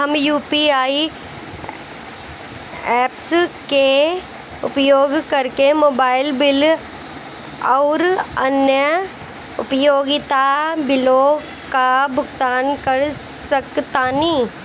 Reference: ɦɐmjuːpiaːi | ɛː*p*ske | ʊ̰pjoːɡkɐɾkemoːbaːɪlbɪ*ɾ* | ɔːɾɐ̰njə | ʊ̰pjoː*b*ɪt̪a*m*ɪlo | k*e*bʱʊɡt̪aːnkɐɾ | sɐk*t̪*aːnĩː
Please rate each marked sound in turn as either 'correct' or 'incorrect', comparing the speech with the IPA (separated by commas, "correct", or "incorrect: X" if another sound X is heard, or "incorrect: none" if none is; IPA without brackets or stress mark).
correct, incorrect: l, incorrect: ɡ, incorrect: b, incorrect: a, correct